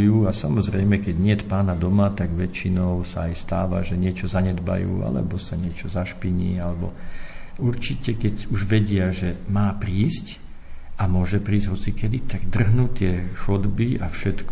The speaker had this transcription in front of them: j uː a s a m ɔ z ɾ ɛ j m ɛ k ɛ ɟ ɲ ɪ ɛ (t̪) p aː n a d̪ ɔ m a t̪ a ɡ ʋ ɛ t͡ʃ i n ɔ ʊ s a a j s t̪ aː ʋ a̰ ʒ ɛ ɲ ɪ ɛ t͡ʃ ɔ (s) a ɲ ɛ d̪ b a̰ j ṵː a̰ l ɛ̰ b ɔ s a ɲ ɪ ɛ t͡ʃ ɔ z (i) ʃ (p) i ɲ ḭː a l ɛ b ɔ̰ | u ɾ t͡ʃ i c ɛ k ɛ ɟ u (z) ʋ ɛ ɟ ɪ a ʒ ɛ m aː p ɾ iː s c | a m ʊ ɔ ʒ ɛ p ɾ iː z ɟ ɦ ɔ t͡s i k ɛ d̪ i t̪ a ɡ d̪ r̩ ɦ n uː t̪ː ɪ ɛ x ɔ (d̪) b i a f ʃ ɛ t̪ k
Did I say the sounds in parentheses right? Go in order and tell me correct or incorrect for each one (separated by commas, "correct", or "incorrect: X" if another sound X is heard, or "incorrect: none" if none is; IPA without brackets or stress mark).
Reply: correct, incorrect: z, incorrect: a, correct, incorrect: ʒ, correct